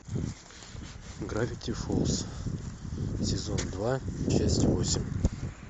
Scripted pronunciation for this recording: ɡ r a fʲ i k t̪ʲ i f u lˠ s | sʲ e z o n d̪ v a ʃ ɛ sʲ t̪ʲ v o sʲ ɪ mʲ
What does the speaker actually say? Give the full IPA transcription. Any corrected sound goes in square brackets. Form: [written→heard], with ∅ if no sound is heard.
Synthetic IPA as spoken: ɡ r a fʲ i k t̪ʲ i f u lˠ s | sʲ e z o n d̪ v a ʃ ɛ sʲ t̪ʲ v o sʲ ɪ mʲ